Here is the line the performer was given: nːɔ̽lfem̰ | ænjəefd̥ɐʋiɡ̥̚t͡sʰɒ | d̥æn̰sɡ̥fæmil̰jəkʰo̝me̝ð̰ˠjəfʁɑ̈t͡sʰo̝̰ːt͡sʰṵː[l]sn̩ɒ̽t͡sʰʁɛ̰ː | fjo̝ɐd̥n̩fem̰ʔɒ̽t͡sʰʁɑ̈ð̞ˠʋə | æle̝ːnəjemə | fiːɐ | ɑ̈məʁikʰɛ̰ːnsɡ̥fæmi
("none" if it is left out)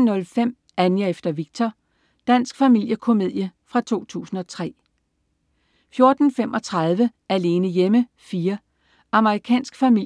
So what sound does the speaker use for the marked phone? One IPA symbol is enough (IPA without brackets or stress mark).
none